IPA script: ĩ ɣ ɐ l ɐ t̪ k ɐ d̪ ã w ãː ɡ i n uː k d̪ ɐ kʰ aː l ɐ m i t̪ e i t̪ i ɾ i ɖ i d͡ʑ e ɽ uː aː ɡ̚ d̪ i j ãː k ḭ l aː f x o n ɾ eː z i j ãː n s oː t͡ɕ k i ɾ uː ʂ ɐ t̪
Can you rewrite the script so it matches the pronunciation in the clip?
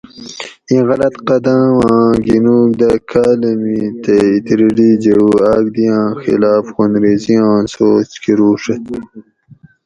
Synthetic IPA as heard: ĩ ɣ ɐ l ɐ t̪ q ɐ d̪ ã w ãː ɡ i n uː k d̪ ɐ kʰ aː l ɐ m i t̪ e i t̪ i ɾ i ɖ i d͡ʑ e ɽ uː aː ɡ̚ d̪ i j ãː x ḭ l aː f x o n ɾ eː z i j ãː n s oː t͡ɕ k i ɾ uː ʂ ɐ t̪